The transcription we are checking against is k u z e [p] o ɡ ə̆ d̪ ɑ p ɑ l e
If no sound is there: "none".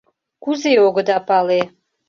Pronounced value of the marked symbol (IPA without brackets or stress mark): none